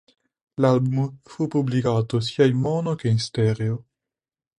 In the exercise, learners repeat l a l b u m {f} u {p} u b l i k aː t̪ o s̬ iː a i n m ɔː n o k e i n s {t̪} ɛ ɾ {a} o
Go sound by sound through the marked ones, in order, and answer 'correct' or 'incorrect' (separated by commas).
correct, correct, correct, incorrect